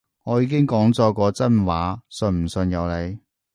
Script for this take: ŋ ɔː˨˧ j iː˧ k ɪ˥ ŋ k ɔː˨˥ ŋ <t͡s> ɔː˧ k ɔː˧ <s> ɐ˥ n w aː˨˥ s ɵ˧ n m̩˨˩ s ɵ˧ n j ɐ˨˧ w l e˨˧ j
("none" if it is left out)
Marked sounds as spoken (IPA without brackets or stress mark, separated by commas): t͡s, t͡s